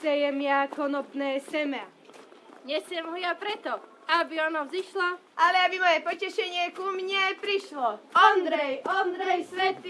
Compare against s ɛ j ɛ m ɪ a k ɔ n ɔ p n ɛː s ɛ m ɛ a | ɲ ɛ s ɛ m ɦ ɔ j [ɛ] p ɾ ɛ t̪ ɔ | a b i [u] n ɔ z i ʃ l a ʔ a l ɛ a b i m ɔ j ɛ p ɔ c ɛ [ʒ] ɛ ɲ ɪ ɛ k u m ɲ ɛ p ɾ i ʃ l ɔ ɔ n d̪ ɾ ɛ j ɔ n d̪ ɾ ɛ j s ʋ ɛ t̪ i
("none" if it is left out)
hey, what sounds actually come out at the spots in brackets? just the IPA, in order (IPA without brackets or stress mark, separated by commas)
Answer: a, ɔ, ʃ